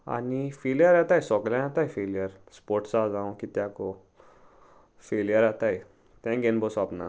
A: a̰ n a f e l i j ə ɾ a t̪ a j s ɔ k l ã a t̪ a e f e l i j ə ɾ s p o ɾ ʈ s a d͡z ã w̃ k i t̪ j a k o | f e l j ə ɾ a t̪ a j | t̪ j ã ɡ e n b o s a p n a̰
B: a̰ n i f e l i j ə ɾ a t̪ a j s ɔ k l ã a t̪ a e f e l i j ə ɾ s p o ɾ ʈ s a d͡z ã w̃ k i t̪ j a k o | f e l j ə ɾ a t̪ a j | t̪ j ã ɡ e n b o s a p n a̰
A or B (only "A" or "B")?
B